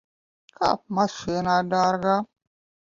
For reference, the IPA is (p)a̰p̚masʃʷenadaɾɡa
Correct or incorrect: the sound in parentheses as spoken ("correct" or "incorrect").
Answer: incorrect